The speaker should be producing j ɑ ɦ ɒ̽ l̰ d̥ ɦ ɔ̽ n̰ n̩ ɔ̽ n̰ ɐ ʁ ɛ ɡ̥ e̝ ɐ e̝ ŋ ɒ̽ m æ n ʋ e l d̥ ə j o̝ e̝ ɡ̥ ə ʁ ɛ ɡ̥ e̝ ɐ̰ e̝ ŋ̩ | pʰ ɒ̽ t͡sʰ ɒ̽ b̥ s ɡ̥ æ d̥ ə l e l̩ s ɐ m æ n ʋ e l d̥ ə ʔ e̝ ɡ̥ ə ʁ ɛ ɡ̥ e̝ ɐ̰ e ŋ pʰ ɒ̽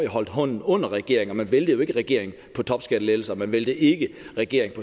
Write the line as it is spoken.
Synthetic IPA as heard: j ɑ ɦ ɒ̽ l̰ d̥ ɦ ɔ̽ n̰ n̩ ɔ̽ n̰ ɐ ʁ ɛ ɡ̥ e̝ ɐ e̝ ŋ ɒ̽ m æ n ʋ e l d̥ ə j o̝ e̝ ɡ̥ ə ʁ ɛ ɡ̥ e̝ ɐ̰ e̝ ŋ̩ | pʰ ɒ̽ t͡sʰ ɒ̽ b̥ s ɡ̥ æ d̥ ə l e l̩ s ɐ m æ n ʋ e l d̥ ə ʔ e̝ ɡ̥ ə ʁ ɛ ɡ̥ e̝ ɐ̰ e ŋ pʰ ɒ̽